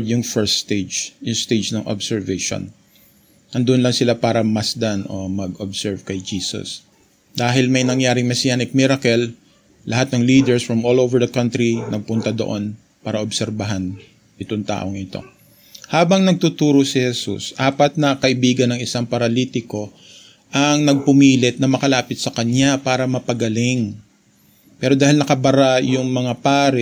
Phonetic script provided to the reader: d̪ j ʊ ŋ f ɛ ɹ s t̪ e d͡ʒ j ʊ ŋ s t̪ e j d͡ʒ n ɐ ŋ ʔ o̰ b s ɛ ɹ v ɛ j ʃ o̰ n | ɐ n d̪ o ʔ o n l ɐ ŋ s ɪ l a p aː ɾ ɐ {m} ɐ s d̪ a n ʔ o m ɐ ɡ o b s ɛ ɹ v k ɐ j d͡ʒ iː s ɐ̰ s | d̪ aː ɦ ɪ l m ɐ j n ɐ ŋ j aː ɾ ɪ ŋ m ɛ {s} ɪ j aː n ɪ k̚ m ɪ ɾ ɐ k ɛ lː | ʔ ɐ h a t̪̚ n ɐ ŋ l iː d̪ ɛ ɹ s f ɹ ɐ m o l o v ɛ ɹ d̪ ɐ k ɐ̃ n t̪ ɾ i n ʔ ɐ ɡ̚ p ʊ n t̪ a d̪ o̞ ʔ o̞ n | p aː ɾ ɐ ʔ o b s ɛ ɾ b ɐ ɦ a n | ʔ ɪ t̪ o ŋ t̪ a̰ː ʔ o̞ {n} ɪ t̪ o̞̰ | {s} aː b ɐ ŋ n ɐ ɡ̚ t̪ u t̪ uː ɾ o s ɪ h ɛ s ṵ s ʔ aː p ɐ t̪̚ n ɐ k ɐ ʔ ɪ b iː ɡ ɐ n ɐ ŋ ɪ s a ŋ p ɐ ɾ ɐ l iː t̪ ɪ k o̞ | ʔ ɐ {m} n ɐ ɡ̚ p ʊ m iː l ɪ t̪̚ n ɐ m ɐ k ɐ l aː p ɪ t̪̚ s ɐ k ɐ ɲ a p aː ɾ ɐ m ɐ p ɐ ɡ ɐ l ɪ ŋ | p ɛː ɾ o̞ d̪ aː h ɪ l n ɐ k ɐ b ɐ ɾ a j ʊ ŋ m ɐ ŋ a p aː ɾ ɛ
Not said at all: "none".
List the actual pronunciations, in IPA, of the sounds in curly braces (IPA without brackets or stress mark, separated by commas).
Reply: m, s, ŋ, h, ŋ